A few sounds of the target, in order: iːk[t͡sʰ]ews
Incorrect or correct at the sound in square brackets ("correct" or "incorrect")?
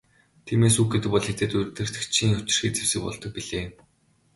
incorrect